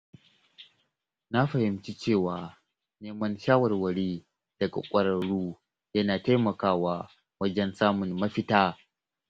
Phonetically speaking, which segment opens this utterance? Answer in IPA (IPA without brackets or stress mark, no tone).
n